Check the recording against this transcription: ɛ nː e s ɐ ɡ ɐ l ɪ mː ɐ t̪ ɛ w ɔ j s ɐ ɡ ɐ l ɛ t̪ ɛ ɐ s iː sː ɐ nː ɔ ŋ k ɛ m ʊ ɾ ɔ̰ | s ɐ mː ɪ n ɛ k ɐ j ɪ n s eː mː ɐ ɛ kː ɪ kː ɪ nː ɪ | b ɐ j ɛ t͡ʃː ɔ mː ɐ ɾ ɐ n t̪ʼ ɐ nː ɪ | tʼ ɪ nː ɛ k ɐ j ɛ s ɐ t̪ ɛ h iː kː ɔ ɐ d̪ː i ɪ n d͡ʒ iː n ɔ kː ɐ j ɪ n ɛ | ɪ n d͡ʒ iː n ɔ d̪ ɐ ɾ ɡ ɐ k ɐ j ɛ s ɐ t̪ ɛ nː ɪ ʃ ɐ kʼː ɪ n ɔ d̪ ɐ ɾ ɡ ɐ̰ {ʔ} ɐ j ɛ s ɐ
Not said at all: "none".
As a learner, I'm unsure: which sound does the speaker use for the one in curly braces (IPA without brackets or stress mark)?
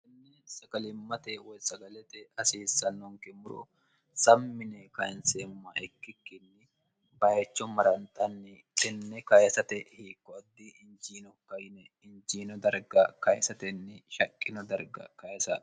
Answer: k